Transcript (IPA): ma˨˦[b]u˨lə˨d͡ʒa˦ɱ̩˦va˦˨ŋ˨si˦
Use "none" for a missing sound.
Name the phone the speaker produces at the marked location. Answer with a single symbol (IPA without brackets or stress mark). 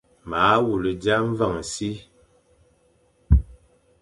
w